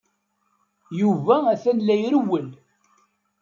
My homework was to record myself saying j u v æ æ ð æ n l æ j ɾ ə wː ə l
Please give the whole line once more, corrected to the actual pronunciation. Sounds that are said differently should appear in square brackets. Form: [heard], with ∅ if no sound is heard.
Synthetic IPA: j u v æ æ [θ] æ n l æ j ɾ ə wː ə l

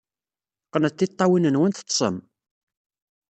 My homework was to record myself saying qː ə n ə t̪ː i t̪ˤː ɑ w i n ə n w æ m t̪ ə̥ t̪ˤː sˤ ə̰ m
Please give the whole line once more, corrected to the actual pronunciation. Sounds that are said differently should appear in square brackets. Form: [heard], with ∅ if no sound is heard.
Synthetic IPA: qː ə n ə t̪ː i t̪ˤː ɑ w i n ə n w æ [n] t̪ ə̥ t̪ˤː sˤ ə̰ m

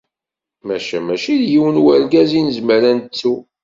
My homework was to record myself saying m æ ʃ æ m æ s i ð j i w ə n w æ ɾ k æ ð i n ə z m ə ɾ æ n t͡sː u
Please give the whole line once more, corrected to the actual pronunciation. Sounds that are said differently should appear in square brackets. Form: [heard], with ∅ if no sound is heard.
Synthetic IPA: m æ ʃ æ m æ [ʃ] i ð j i w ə n w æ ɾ [ɡ] æ [z] i n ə z m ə ɾ æ n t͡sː u

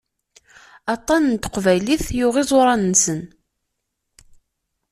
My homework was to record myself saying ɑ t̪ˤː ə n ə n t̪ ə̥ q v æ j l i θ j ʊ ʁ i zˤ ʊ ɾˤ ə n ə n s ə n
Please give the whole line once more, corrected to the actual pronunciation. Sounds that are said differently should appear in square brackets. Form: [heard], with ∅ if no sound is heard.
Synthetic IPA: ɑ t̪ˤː [ɑ] n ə n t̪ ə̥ q v æ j l i θ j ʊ ʁ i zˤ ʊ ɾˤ [ɑ] n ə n s ə n

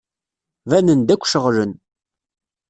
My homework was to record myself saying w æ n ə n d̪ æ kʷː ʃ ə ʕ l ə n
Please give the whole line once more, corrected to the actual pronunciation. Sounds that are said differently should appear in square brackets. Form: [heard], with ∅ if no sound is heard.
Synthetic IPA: [v] æ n ə n d̪ æ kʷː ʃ ə [ʁ] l ə n

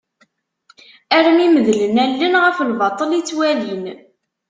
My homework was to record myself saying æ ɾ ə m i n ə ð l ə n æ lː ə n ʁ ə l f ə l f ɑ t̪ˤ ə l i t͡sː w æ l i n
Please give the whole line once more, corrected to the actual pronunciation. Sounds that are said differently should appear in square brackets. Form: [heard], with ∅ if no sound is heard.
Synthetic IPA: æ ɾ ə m i [m] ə ð l ə n æ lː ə n ʁ ə [∅] f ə l [v] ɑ t̪ˤ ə l i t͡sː w æ l i n

